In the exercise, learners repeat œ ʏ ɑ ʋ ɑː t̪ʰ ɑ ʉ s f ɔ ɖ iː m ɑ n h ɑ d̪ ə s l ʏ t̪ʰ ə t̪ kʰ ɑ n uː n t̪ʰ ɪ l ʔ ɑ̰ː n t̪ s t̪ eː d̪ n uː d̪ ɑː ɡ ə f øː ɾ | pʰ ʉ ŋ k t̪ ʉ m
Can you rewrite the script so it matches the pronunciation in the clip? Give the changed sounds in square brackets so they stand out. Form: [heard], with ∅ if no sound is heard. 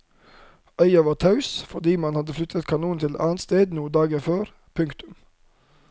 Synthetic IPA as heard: œ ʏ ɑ ʋ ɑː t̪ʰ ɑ ʉ s f ɔ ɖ iː m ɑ n h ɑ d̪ ə [f] l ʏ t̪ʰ ə t̪ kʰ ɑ n uː n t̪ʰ ɪ l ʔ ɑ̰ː n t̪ s t̪ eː d̪ n uː d̪ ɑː ɡ ə f øː ɾ | pʰ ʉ ŋ k t̪ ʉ m